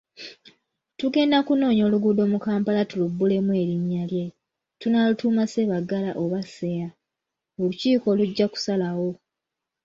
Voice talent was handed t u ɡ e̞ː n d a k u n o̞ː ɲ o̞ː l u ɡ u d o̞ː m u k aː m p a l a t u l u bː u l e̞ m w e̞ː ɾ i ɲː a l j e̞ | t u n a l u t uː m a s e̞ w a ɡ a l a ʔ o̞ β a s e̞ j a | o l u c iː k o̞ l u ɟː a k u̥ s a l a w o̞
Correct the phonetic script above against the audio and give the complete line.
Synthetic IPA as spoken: t u ɡ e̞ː n d a k u n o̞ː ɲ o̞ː l u ɡ u d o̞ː m u k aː m p a l a t u l u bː u l e̞ m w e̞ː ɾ i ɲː a l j e̞ | t u n a l u t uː m a s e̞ β a ɡ a l a ʔ o̞ β a s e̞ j a | o l u c iː k o̞ l u ɟː a k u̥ s a l a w o̞